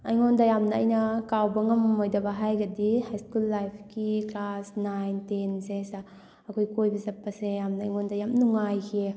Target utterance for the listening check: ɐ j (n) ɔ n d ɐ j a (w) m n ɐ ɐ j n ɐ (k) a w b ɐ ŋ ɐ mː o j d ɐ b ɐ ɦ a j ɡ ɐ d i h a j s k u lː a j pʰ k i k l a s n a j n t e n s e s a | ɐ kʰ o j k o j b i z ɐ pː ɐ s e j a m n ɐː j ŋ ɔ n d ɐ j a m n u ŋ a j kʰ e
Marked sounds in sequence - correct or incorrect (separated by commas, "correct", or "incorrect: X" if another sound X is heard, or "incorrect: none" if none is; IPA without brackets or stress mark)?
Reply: incorrect: ŋ, incorrect: none, correct